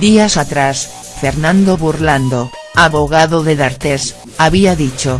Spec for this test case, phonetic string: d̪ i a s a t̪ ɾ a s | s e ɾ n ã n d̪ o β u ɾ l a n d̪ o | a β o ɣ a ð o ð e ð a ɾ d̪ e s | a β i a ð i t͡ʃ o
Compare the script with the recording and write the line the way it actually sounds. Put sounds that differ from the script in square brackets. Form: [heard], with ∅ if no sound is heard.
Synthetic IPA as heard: d̪ i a s a t̪ ɾ a s | [f] e ɾ n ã n d̪ o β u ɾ l a n d̪ o | a β o ɣ a ð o ð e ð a ɾ [t̪] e s | a β i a ð i t͡ʃ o